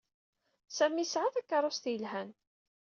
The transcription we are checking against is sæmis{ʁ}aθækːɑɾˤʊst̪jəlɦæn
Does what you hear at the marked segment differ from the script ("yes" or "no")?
yes